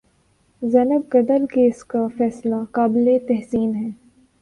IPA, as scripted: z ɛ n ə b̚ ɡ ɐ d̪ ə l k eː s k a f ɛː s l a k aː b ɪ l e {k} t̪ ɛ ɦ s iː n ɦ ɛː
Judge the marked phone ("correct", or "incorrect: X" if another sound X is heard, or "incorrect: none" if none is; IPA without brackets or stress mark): incorrect: none